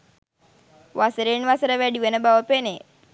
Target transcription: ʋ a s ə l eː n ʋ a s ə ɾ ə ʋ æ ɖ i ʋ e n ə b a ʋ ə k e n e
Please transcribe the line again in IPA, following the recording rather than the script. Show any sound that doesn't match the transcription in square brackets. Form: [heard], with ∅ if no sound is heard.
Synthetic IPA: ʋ a s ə [ɾ] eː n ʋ a s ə ɾ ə ʋ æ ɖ i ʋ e n ə b a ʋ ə [p] e n e